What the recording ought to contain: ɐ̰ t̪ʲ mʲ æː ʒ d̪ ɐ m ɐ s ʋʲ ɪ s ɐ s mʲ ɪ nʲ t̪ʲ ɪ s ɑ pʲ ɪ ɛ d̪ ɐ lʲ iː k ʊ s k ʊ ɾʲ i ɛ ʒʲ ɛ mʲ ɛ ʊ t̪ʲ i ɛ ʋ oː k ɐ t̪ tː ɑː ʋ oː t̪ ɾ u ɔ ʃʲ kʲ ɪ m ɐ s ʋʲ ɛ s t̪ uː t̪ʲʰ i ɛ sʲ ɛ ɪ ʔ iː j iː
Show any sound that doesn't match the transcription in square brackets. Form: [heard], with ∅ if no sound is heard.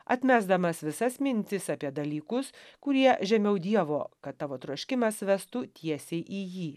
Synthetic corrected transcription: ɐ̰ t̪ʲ mʲ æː [z] d̪ ɐ m ɐ s ʋʲ ɪ s ɐ s mʲ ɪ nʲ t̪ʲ ɪ s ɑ pʲ [i] ɛ d̪ ɐ lʲ iː k ʊ s k ʊ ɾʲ i ɛ ʒʲ ɛ mʲ ɛ ʊ [d̪ʲ] i ɛ ʋ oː k ɐ t̪ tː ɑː ʋ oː t̪ ɾ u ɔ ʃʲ kʲ ɪ m ɐ s ʋʲ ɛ s t̪ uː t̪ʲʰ i ɛ sʲ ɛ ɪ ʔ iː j iː